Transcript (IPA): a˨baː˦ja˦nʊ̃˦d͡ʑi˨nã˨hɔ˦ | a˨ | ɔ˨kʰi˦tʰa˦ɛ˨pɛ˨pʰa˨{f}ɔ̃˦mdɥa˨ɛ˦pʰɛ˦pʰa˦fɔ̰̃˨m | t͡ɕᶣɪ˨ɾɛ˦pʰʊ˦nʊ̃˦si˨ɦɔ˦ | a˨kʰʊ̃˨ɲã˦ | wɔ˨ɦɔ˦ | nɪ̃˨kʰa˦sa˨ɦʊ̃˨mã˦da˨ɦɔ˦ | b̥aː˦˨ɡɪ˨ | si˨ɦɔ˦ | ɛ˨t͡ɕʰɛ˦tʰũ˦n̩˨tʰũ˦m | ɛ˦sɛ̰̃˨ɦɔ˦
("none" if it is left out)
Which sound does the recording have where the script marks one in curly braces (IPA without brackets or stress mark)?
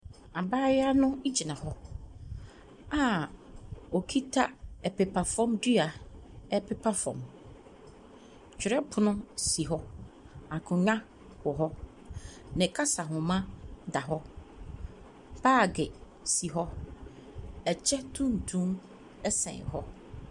f